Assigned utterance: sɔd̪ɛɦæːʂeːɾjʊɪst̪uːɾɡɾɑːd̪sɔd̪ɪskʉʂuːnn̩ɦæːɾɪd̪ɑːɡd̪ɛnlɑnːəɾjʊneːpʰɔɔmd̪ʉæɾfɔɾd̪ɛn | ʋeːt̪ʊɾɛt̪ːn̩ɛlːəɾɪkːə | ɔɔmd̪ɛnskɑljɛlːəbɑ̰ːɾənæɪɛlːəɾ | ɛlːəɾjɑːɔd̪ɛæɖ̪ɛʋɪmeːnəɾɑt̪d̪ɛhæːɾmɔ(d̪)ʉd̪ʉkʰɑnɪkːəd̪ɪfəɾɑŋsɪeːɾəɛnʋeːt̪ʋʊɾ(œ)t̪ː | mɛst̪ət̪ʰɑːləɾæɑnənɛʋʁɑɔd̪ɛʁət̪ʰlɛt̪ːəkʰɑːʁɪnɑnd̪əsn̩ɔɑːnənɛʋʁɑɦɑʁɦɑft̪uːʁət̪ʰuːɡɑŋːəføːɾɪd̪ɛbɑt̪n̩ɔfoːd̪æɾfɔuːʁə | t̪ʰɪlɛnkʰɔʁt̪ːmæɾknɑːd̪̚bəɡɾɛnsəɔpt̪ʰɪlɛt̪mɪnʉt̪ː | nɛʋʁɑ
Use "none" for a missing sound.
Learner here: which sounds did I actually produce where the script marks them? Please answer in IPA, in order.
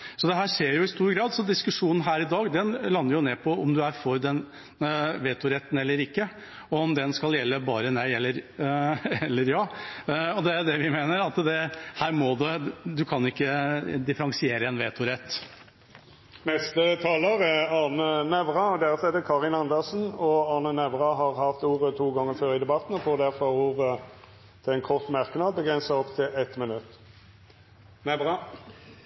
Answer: d̪, ɛ

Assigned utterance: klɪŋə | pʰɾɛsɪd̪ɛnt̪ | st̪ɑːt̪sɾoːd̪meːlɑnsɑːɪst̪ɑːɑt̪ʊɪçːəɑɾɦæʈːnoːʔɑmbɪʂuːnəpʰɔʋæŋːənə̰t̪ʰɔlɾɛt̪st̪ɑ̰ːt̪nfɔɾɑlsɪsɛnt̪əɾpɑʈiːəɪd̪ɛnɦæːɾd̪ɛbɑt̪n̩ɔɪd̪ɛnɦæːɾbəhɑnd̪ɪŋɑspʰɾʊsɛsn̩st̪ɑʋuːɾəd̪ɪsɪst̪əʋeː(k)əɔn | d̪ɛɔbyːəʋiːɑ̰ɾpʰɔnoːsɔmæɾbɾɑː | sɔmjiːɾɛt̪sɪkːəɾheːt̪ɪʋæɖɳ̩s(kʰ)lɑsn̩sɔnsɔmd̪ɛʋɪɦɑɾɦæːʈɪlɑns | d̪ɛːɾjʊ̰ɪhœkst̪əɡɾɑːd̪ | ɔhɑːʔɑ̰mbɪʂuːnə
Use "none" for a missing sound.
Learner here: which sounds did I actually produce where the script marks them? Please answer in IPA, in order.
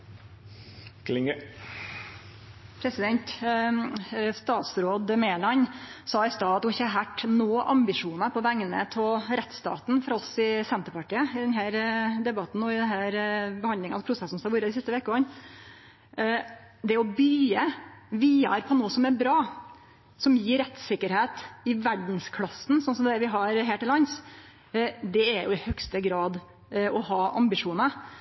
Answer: k, kʰ

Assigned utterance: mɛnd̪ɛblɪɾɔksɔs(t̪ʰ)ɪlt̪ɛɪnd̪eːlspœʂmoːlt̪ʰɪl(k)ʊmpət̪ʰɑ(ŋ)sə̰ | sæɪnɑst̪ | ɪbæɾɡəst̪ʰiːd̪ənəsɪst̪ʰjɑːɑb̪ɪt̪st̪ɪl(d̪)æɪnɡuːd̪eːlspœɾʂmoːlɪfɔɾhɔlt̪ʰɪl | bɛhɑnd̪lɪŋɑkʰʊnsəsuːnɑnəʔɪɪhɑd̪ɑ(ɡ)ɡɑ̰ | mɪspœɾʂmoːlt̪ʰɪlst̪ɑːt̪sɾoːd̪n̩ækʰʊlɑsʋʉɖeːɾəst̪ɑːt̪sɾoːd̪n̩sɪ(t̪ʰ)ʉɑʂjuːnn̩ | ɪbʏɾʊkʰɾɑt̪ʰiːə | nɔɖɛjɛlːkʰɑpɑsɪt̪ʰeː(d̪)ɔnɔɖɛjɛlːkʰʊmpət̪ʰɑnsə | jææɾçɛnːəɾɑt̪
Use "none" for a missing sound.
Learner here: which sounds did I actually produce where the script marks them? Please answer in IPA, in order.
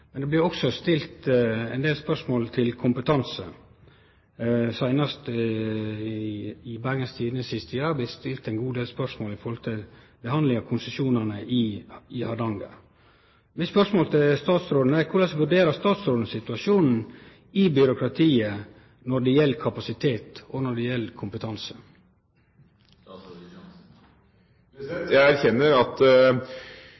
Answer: t̪, kʰ, n, t̪, ŋ, t̪, t̪

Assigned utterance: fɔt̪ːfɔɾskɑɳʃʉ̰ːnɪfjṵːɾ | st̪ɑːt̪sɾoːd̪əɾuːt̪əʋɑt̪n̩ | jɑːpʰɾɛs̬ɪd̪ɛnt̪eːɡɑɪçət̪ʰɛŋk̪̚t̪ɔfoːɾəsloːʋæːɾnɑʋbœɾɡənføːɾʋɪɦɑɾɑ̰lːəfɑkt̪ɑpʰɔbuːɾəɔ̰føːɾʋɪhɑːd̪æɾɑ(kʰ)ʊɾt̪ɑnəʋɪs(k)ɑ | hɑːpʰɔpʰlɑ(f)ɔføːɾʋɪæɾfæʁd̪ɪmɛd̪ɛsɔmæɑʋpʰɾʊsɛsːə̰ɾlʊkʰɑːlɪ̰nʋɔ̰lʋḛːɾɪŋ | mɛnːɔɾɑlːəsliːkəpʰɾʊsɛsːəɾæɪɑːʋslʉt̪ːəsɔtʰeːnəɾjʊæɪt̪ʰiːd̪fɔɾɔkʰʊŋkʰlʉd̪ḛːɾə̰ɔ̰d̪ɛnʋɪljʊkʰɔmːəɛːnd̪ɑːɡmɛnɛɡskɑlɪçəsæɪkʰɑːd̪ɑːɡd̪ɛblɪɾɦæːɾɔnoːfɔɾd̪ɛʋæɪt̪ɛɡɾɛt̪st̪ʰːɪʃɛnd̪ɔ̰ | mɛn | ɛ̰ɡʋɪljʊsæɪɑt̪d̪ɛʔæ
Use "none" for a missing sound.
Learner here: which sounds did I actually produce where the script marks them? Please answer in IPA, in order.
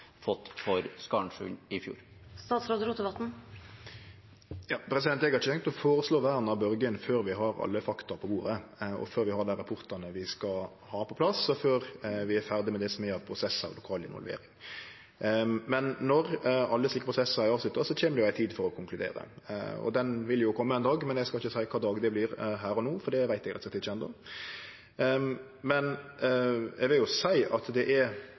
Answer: pʰ, k, s

